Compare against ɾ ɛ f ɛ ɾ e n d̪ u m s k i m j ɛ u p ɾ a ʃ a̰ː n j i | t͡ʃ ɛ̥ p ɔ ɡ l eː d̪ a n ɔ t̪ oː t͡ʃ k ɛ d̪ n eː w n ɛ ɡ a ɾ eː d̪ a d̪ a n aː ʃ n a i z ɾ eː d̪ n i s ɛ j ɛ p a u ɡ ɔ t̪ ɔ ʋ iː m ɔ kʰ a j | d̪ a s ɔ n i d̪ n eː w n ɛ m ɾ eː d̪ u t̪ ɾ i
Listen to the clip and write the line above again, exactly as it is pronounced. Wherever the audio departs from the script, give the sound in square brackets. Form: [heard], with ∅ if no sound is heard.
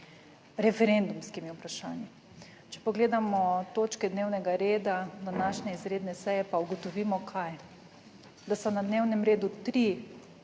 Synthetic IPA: ɾ ɛ f ɛ ɾ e n d̪ u m s k i m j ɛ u p ɾ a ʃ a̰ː n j i | t͡ʃ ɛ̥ p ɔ ɡ l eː d̪ a [m] ɔ t̪ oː t͡ʃ k ɛ d̪ n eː w n ɛ ɡ a ɾ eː d̪ a d̪ a n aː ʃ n [ɛ] i z ɾ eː d̪ n [ɛ] s ɛ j ɛ p a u ɡ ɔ t̪ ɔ ʋ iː m ɔ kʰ a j | d̪ a s ɔ n [a] d̪ n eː w n ɛ m ɾ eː d̪ u t̪ ɾ i